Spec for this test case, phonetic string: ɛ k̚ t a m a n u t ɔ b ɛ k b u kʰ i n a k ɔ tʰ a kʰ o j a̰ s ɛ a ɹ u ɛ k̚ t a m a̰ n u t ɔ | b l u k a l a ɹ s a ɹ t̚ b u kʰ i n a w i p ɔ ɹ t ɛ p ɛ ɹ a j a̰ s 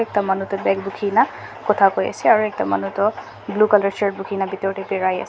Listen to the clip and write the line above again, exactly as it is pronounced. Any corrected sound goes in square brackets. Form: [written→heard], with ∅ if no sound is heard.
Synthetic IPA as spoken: ɛ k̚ t a m a n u t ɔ b ɛ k b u kʰ i n a k ɔ tʰ a [kʰ→k] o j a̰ s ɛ a ɹ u ɛ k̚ t a m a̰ n u t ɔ | b l u k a l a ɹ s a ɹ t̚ b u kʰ i n a [w→b] i [p→t] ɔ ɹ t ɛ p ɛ ɹ a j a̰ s